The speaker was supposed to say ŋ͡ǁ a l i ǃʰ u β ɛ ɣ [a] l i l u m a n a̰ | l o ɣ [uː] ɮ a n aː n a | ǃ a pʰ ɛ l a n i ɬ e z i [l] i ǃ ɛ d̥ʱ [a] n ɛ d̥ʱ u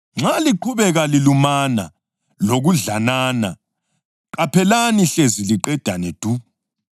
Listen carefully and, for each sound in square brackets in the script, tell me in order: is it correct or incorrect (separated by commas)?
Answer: correct, incorrect, correct, correct